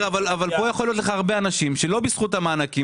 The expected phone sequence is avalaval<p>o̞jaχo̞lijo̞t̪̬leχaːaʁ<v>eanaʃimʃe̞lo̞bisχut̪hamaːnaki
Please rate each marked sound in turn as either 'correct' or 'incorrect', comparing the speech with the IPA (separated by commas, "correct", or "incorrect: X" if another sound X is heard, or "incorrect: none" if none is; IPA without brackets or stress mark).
correct, incorrect: b